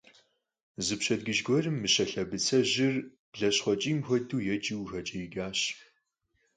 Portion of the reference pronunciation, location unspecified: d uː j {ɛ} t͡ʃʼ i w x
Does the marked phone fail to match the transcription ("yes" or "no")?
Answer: no